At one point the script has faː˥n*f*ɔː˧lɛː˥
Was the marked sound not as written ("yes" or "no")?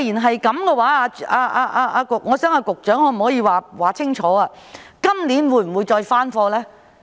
no